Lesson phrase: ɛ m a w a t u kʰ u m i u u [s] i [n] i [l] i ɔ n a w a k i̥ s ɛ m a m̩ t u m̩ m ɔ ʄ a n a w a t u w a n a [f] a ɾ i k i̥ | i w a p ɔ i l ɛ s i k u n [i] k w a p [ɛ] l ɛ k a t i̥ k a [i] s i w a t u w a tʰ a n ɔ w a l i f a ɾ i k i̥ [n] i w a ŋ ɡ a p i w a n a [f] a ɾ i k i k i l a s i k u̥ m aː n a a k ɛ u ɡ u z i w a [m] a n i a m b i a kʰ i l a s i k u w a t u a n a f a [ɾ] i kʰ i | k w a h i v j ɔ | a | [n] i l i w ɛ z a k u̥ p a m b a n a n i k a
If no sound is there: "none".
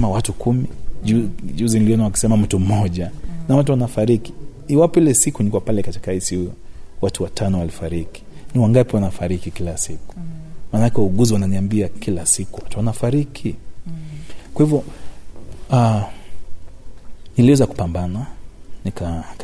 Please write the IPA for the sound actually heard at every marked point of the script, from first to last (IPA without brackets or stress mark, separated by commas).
z, n, l, f, i, a, i, n, f, n, ɾ, n